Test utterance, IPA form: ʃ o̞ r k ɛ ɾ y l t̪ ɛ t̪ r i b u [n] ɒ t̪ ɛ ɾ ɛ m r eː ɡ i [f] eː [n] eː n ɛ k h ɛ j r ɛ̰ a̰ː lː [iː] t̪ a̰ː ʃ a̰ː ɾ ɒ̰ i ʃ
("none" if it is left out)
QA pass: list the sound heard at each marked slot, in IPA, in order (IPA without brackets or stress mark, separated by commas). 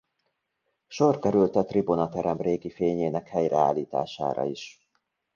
n, f, ɲ, iː